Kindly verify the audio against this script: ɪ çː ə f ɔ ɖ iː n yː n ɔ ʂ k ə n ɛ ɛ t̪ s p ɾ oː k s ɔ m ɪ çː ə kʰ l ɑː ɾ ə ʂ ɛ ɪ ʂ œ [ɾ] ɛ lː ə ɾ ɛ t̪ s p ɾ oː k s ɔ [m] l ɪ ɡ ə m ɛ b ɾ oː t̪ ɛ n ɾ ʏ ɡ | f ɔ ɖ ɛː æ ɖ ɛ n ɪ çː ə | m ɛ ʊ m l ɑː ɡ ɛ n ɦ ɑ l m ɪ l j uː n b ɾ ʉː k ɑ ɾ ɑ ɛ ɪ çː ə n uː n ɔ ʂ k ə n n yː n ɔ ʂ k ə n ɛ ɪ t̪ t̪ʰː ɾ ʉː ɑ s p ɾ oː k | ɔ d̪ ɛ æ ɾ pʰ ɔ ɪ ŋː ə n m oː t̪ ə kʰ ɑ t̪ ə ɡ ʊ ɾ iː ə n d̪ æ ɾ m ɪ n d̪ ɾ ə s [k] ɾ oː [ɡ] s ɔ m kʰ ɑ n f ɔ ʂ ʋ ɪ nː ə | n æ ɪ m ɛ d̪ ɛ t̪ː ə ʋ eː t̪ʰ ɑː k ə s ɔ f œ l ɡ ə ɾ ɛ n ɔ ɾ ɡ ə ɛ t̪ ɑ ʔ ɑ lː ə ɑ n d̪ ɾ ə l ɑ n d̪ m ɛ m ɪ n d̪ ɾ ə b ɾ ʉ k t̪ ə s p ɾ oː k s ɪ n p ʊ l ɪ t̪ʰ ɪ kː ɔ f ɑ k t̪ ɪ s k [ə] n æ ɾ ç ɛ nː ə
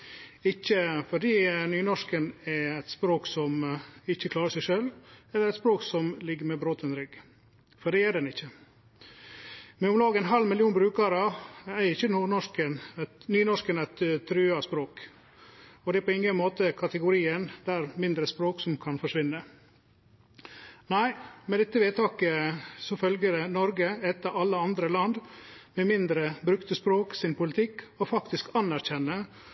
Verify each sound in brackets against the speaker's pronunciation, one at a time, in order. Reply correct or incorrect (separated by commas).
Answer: incorrect, correct, incorrect, incorrect, incorrect